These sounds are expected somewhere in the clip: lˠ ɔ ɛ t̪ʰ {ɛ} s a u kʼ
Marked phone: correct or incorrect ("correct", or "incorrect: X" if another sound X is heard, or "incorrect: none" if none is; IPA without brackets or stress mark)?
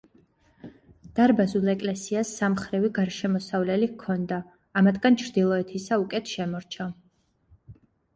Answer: incorrect: i